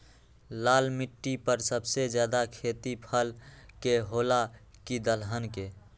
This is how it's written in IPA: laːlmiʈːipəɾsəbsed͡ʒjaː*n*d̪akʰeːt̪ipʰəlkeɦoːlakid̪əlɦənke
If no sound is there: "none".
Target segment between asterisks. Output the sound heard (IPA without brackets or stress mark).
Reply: none